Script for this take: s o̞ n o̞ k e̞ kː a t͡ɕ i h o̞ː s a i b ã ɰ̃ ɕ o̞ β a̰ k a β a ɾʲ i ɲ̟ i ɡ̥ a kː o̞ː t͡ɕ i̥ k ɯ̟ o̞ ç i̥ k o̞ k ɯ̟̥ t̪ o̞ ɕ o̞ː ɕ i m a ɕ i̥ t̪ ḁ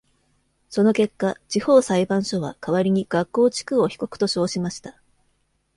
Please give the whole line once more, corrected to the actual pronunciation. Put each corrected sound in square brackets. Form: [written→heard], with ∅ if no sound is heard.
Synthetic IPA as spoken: s o̞ n o̞ k e̞ kː a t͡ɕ i h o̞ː s a i b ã ɰ̃ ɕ o̞ β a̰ k a β a ɾʲ i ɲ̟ i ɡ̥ a kː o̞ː t͡ɕ i̥ k ɯ̟ o̞ ç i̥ k o̞ k ɯ̟̥ t̪ o̞ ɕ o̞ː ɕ i m a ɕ i̥ t̪ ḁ